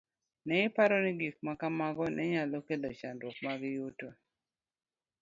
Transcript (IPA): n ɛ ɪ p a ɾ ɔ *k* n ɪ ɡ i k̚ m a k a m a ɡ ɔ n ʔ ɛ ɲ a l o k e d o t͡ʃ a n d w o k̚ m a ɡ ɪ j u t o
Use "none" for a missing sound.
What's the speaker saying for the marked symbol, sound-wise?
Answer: none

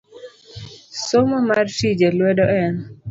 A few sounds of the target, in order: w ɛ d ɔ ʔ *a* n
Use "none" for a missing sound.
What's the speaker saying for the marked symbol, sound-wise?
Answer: ɛ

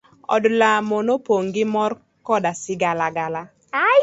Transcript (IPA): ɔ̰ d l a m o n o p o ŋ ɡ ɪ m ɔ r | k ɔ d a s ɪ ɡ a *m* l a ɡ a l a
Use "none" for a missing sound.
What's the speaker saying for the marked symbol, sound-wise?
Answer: none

